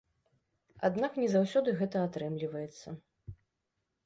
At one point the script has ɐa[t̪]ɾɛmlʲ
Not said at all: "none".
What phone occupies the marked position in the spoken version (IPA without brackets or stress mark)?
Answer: t̪